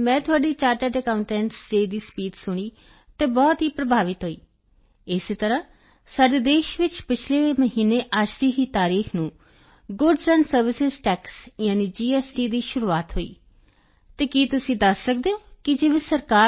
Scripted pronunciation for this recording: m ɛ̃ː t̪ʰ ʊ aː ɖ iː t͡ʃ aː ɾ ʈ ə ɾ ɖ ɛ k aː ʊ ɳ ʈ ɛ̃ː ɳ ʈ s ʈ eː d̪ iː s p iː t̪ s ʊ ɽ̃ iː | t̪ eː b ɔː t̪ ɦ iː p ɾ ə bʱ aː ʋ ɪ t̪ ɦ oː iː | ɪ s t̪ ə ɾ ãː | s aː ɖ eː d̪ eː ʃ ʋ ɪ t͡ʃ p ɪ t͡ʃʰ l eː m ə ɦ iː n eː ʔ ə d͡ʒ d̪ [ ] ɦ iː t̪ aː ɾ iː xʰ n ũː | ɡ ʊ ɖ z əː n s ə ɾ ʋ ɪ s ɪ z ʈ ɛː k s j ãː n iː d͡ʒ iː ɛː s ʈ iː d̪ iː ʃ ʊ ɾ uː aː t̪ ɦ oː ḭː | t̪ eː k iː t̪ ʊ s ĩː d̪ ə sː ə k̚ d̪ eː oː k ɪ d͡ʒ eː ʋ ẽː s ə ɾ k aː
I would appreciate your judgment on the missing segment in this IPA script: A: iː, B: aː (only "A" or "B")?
A